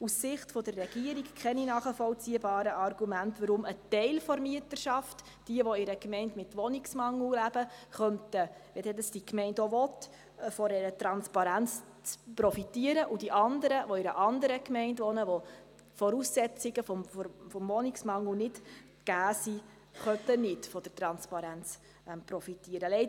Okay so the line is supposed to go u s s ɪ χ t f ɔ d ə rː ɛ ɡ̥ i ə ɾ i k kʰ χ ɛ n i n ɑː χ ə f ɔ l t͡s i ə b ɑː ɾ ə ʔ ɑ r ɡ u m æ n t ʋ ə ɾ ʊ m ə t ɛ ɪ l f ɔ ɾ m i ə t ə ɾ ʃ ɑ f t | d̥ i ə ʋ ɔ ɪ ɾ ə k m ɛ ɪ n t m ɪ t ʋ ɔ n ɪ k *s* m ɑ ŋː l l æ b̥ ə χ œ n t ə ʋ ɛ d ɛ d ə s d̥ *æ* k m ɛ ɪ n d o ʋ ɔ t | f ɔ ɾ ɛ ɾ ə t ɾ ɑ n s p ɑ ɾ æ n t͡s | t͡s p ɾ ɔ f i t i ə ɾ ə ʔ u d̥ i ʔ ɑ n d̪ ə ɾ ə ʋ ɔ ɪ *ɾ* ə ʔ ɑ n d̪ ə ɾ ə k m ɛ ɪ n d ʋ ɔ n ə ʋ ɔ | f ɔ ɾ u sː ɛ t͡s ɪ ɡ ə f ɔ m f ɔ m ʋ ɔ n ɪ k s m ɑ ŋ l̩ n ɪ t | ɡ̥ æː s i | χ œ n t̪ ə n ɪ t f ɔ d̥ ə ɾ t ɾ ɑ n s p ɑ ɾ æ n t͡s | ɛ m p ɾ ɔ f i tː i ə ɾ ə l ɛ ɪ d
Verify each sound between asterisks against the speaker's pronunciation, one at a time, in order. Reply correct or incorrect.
correct, incorrect, correct

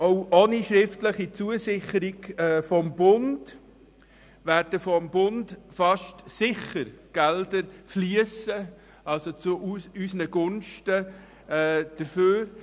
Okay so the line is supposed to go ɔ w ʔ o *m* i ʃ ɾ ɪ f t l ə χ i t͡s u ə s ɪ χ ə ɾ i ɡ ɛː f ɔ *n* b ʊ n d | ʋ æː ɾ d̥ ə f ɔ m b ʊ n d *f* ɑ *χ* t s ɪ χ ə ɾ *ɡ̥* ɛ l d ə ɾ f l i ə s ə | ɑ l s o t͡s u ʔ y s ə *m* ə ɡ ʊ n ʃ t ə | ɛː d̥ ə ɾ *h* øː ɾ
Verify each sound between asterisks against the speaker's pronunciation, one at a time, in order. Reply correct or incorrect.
incorrect, incorrect, correct, incorrect, correct, incorrect, incorrect

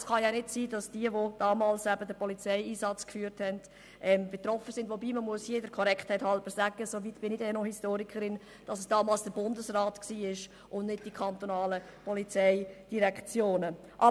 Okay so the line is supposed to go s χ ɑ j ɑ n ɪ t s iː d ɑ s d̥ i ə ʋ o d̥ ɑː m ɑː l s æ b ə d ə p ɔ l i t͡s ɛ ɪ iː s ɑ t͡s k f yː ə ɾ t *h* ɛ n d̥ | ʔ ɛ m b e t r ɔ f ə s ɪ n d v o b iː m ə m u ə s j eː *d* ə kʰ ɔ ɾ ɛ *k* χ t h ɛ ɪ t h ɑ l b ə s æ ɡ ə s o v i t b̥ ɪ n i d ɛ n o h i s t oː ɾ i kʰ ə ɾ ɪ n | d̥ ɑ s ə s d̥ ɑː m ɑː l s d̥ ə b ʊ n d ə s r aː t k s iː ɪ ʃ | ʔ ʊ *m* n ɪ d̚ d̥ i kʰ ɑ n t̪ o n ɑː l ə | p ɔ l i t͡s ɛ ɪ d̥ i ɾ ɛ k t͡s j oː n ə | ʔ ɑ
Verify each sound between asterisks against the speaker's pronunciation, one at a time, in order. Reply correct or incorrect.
correct, correct, correct, incorrect

